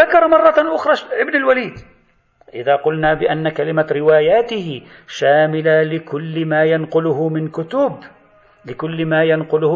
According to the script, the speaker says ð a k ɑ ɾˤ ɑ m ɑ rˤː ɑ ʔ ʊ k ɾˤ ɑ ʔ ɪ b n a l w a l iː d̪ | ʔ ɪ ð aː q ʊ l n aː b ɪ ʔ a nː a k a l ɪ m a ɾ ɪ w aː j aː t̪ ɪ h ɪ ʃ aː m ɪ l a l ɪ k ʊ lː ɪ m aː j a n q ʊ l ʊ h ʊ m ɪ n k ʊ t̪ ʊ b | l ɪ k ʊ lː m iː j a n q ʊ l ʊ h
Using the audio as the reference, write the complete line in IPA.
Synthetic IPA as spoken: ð a k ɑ ɾˤ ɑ m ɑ rˤː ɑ ʔ ʊ x ɾˤ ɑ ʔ ɪ b n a l w a l iː d̪ | ʔ ɪ ð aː q ʊ l n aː b ɪ ʔ a nː a k a l ɪ m a ɾ ɪ w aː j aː t̪ ɪ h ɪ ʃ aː m ɪ l a l ɪ k ʊ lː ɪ m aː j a n q ʊ l ʊ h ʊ m ɪ n k ʊ t̪ ʊ b | l ɪ k ʊ lː m aː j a n q ʊ l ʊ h